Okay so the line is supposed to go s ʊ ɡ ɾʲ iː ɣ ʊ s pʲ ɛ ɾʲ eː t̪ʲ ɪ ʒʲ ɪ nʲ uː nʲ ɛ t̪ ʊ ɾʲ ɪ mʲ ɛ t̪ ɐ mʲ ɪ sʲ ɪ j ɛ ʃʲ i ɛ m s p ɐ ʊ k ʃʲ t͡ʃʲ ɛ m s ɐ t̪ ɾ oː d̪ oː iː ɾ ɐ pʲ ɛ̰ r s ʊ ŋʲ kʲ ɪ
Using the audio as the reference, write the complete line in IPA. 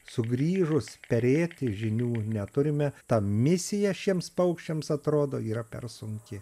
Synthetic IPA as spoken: s ʊ ɡ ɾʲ iː ʒ ʊ s pʲ ɛ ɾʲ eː t̪ʲ ɪ ʒʲ ɪ nʲ uː nʲ ɛ t̪ ʊ ɾʲ ɪ mʲ ɛ t̪ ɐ mʲ ɪ sʲ ɪ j ɛ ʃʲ i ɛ m s p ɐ ʊ k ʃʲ t͡ʃʲ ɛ m s ɐ t̪ ɾ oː d̪ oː iː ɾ ɐ pʲ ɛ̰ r s ʊ ŋʲ kʲ ɪ